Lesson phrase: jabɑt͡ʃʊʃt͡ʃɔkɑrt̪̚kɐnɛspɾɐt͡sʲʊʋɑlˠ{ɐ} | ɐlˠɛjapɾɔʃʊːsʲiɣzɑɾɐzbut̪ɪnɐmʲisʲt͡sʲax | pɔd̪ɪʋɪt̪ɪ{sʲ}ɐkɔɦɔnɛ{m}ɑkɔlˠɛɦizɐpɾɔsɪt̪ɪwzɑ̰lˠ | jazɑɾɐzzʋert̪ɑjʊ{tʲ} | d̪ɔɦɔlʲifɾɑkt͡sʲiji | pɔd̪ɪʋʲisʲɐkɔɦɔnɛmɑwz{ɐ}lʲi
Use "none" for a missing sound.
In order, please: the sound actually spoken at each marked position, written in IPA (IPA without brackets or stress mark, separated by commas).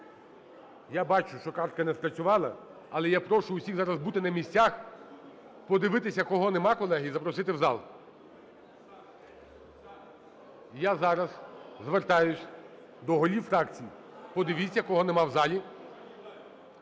ɐ, sʲ, m, sʲ, ɑ